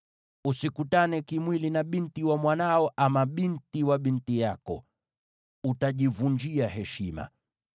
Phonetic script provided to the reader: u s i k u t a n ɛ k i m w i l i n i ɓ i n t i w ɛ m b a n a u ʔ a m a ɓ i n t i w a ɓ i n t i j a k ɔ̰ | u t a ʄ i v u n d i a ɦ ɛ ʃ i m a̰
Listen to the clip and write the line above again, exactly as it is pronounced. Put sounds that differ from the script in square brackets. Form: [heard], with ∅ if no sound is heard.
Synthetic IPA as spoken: u s i k u t a n ɛ k i m w i l i n [a] ɓ i n t i w [a] m [w] a n a [ɔ] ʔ a m a ɓ i n t i w a ɓ i n t i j a k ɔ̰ | u t a ʄ i v u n [d͡ʒ] i a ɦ ɛ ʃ i m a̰